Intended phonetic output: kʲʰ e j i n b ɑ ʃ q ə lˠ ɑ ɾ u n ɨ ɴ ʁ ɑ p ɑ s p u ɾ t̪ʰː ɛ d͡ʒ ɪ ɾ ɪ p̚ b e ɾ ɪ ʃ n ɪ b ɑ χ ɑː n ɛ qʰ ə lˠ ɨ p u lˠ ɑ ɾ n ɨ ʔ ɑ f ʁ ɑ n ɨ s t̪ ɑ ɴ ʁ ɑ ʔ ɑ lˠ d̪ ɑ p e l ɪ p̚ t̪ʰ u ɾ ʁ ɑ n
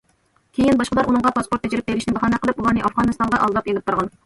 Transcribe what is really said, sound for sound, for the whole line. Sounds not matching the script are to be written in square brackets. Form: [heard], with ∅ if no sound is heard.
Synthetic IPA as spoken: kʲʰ e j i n b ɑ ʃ q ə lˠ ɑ ɾ u n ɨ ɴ ʁ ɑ p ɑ s p [o] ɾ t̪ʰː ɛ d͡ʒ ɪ ɾ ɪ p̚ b e ɾ ɪ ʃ n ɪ b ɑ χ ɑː n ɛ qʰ ə lˠ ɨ p u lˠ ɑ ɾ n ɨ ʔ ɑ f ʁ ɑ n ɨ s t̪ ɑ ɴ ʁ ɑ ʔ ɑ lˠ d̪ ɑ p e l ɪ p̚ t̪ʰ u ɾ ʁ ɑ n